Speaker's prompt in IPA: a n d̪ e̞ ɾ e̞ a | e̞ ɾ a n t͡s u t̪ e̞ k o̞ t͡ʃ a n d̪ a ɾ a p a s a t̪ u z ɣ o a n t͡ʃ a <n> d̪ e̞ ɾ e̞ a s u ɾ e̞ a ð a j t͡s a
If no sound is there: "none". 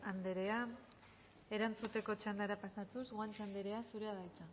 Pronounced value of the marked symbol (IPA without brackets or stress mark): n